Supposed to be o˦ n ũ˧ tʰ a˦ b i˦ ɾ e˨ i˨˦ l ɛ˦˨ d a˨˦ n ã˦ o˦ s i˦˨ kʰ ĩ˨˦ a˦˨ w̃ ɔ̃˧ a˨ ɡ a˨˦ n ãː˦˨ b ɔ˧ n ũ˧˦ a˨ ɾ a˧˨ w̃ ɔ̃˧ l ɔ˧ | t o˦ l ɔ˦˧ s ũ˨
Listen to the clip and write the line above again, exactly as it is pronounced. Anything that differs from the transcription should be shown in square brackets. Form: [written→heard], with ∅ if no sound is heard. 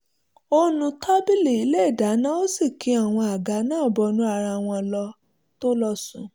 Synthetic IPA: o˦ n ũ˧ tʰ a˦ b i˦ [ɾ→l] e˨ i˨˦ l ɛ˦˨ d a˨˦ n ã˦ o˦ s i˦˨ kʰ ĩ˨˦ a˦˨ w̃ ɔ̃˧ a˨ ɡ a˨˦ n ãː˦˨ b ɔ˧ n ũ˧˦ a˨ ɾ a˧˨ w̃ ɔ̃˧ l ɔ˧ | t o˦ l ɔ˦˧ s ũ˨